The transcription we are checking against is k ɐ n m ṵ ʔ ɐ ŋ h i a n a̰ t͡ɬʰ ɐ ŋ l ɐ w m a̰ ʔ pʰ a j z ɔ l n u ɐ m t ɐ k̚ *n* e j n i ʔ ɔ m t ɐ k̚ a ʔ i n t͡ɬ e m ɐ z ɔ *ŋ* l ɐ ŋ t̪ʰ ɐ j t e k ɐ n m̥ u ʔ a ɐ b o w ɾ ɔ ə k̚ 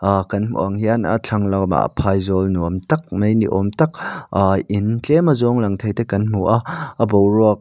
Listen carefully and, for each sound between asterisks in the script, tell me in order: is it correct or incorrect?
incorrect, correct

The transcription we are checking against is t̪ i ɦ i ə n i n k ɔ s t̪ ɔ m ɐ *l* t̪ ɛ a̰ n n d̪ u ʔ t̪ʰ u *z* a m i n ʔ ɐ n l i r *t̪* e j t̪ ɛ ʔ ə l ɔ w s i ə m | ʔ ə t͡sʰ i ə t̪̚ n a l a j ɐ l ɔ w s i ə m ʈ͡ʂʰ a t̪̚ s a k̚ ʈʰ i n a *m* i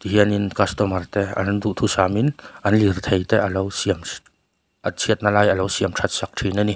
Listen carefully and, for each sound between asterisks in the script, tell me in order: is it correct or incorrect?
incorrect, incorrect, incorrect, incorrect

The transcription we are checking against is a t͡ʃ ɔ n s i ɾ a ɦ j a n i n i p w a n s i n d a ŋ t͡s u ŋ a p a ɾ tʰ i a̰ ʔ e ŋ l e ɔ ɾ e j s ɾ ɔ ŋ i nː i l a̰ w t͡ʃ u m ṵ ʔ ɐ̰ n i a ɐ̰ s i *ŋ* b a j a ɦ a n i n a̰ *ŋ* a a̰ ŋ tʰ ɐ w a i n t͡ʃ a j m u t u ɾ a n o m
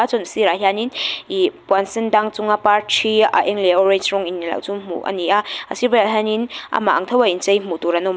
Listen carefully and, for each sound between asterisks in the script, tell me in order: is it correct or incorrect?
incorrect, incorrect

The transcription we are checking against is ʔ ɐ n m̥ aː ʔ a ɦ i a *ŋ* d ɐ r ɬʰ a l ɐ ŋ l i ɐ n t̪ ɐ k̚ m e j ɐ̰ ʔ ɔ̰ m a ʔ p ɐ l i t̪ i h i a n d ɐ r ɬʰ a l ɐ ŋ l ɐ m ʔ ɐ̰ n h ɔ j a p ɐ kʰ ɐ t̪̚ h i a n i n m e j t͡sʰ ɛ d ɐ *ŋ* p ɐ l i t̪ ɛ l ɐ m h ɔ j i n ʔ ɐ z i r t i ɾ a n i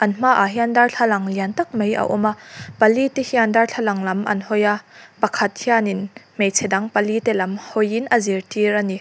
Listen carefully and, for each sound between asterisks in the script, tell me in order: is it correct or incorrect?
incorrect, correct

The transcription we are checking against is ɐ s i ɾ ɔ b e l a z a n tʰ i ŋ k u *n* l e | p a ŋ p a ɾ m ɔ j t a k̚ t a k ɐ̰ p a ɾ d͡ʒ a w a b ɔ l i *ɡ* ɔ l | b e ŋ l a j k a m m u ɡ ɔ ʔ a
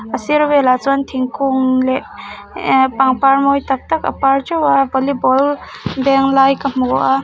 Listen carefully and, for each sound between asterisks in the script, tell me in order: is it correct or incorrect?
incorrect, incorrect

